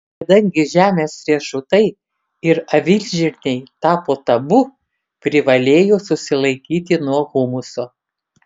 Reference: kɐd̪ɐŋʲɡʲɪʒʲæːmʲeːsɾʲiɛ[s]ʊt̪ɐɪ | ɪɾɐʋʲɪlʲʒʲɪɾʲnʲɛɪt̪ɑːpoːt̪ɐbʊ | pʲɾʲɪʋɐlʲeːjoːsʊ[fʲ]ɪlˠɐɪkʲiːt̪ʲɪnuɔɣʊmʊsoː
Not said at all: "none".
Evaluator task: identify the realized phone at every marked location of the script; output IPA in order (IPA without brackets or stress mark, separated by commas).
ʃ, sʲ